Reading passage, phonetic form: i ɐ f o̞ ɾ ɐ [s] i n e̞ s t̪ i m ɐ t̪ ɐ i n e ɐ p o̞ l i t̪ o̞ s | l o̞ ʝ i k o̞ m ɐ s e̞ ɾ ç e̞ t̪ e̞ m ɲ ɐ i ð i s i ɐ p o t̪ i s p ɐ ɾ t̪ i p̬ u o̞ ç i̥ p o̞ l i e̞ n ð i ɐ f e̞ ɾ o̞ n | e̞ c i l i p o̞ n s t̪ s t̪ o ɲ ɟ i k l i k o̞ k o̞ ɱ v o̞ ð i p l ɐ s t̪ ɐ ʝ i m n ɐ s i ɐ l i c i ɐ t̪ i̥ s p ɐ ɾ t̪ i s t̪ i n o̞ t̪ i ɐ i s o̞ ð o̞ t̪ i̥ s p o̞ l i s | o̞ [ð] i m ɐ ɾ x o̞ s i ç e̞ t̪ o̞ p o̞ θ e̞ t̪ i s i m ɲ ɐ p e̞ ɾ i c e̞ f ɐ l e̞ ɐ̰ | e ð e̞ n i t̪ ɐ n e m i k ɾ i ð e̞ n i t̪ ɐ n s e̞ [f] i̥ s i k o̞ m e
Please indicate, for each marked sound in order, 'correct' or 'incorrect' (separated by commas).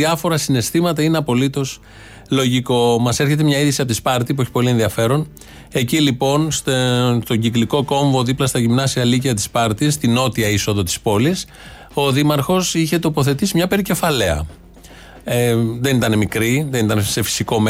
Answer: correct, correct, correct